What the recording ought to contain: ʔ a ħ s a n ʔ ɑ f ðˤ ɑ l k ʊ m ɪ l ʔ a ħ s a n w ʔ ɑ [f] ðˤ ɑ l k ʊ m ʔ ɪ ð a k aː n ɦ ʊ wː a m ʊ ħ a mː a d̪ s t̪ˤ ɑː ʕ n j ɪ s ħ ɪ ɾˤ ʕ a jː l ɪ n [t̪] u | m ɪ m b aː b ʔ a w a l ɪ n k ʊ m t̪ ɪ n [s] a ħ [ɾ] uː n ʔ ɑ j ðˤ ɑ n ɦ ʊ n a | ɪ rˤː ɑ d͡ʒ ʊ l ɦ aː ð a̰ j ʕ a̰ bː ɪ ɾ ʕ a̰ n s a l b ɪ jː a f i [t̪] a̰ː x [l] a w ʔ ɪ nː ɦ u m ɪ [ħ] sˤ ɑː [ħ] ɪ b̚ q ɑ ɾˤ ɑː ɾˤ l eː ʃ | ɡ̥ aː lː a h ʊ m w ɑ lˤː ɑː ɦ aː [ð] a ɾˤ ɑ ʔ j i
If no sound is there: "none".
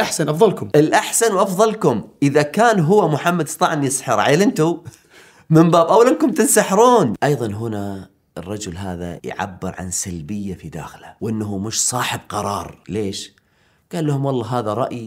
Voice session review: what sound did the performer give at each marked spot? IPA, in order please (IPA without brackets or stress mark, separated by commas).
f, t̪, s, ɾ, d̪, l, ʃ, ħ, ð